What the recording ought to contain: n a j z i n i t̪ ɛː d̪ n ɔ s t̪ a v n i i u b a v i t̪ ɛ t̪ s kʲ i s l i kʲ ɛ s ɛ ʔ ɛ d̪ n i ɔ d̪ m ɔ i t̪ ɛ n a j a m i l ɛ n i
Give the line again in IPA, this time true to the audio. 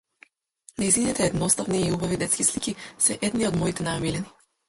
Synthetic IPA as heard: n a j z i n i t̪ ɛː d̪ n ɔ s t̪ a v n i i u b a v i d̪ ɛ t̪ s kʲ i s l i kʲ i s ɛ ʔ ɛ d̪ n i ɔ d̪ m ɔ i t̪ ɛ n a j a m i l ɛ n i